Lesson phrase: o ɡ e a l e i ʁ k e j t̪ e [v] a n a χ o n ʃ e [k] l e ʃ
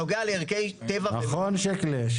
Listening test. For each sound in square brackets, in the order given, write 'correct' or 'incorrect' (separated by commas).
correct, correct